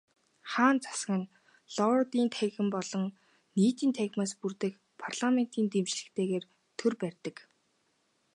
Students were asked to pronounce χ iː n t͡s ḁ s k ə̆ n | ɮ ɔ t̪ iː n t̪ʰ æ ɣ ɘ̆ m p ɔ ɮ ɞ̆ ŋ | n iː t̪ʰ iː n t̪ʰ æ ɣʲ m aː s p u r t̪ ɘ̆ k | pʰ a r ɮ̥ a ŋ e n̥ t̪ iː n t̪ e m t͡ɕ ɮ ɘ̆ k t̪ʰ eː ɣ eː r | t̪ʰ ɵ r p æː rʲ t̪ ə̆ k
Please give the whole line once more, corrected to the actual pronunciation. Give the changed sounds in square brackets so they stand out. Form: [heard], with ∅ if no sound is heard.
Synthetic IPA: χ [aː] n t͡s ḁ s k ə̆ n | ɮ ɔ t̪ iː n t̪ʰ æ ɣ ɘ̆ m p ɔ ɮ ɞ̆ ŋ | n iː [t̪] iː n t̪ʰ æ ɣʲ m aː s p u r t̪ ɘ̆ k | pʰ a r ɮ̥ a [m] e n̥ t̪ iː n t̪ e m t͡ɕ ɮ ɘ̆ k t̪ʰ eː ɣ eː r | t̪ʰ ɵ r p [æ] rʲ t̪ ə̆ k